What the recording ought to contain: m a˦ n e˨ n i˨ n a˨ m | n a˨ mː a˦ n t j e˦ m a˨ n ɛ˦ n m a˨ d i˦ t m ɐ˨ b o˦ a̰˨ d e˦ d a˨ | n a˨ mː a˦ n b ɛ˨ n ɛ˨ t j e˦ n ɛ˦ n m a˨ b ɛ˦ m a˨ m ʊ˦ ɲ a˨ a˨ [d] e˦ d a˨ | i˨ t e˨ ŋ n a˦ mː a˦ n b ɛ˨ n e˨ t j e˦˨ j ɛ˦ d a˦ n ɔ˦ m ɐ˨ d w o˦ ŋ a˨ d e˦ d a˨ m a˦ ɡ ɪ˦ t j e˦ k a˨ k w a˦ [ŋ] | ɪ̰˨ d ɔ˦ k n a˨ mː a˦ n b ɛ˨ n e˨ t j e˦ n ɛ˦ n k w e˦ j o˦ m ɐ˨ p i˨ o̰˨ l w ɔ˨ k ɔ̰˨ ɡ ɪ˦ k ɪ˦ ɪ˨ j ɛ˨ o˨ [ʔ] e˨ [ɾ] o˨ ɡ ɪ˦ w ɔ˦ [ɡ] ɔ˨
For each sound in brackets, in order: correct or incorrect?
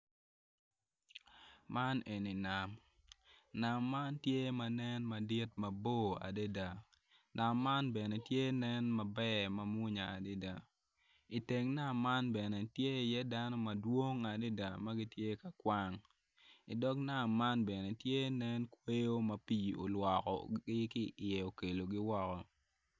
correct, correct, incorrect: k, incorrect: l, incorrect: k

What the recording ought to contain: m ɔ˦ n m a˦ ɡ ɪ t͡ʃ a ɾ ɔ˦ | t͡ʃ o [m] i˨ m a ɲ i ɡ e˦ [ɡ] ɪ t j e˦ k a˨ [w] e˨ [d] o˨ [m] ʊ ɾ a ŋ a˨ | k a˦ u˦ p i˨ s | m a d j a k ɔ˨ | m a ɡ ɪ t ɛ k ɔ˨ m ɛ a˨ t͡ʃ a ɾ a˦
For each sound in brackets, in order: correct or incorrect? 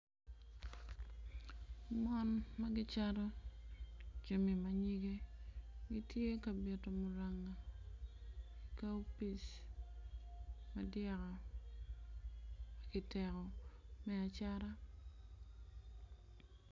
correct, correct, incorrect: b, incorrect: t, correct

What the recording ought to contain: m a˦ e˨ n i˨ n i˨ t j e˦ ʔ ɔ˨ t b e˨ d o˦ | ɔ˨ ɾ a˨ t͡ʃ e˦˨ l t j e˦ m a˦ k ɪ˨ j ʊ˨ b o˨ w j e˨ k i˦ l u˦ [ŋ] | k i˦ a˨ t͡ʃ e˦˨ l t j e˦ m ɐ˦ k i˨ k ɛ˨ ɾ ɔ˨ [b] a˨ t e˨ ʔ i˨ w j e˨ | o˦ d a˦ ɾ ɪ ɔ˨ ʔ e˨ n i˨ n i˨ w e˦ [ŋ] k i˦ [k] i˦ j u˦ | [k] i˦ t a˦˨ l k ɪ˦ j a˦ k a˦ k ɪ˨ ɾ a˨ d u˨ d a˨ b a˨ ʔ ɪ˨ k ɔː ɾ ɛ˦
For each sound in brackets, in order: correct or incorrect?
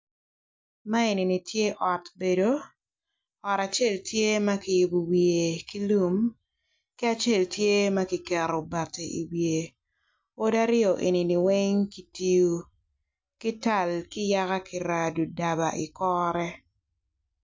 incorrect: m, correct, correct, incorrect: t, correct

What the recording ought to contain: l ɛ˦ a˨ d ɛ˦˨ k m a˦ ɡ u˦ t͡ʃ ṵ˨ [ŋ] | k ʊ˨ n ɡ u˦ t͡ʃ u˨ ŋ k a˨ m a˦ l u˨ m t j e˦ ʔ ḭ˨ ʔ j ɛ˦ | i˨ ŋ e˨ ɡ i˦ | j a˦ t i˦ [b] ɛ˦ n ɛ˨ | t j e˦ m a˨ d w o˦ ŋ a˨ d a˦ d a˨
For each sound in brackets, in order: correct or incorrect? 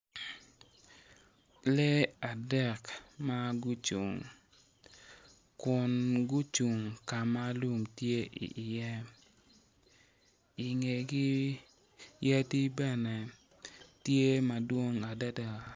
correct, correct

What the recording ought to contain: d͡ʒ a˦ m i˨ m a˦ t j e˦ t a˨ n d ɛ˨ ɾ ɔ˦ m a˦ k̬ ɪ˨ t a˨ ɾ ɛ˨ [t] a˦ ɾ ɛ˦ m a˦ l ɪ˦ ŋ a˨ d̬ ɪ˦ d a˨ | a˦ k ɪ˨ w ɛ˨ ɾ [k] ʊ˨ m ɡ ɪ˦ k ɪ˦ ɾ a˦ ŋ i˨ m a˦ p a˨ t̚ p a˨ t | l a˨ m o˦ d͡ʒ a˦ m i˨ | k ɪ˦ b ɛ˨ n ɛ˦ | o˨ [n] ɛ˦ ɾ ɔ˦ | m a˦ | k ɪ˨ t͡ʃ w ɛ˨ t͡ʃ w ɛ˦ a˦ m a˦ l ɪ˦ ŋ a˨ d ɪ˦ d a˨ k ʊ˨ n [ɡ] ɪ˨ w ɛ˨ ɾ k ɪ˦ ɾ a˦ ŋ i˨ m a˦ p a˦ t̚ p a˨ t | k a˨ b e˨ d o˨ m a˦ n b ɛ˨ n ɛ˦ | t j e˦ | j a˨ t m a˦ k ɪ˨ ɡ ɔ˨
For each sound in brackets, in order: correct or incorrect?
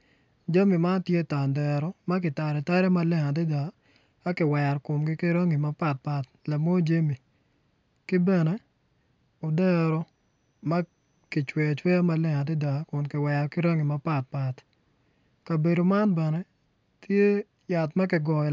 correct, correct, incorrect: d, incorrect: k

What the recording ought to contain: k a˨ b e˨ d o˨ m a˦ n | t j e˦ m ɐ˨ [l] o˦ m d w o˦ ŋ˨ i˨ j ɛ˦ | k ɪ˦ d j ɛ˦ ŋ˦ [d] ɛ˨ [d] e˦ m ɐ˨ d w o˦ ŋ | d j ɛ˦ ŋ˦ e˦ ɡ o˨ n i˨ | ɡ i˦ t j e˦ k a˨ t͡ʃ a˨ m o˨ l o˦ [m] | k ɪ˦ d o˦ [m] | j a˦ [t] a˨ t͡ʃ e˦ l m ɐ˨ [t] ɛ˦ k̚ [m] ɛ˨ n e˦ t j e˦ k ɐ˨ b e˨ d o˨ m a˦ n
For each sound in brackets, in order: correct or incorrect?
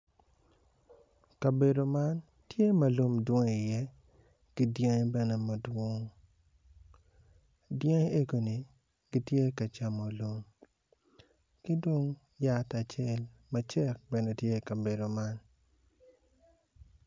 correct, incorrect: b, incorrect: n, correct, incorrect: ŋ, correct, incorrect: t͡ʃ, incorrect: b

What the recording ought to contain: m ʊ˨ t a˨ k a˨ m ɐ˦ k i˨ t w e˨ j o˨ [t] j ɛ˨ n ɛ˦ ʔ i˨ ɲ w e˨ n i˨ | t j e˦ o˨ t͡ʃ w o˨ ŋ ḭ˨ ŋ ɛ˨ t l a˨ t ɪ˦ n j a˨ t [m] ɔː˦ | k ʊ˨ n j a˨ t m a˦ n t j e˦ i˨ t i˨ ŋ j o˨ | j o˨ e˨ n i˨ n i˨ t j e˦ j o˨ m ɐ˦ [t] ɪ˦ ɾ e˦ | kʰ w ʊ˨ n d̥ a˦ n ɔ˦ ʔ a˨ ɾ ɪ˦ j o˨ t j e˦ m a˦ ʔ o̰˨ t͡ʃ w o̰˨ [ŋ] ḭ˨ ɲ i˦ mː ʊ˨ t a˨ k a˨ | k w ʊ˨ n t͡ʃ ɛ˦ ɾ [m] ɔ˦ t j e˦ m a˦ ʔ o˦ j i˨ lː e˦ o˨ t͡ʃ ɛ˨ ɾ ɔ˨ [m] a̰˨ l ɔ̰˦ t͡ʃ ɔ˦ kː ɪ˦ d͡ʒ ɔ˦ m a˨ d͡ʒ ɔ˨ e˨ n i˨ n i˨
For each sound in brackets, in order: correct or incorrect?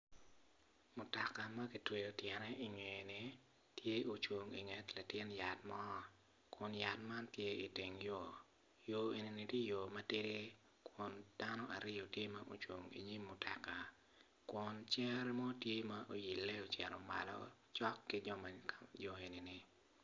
correct, correct, correct, correct, correct, correct

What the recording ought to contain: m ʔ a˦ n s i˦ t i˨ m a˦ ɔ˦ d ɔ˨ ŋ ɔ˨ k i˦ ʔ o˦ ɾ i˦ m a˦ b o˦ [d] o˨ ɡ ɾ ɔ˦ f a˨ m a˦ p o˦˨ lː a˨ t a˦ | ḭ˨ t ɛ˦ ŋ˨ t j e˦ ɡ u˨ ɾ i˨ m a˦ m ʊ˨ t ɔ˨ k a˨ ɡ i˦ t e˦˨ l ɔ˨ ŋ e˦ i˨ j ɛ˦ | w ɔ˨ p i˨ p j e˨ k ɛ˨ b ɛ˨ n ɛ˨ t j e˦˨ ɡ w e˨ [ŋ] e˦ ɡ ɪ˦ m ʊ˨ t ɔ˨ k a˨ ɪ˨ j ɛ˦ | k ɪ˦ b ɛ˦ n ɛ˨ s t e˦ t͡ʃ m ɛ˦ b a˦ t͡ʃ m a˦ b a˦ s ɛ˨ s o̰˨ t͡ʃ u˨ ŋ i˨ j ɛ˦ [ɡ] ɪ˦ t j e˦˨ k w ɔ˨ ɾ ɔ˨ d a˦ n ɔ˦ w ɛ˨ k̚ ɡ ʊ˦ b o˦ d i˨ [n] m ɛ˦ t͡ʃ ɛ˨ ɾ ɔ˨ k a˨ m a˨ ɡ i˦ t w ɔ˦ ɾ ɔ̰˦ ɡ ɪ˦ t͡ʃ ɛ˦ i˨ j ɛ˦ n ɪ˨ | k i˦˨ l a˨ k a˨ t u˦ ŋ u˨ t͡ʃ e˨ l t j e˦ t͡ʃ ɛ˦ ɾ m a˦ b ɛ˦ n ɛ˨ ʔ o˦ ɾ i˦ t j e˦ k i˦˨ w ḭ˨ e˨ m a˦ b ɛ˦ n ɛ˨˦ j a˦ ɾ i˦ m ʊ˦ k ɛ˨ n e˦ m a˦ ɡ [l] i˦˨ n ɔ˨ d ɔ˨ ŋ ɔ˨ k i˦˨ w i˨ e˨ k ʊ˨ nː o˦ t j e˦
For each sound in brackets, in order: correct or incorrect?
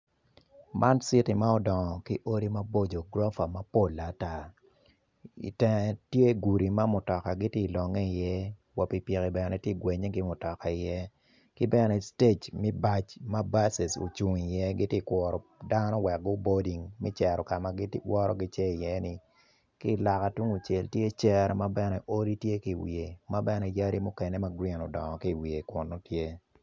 incorrect: d͡ʒ, incorrect: ɲ, correct, incorrect: ŋ, incorrect: ɾ

